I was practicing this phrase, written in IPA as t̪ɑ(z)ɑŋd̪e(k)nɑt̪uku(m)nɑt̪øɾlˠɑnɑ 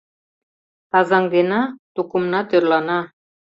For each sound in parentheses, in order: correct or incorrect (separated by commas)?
correct, incorrect, correct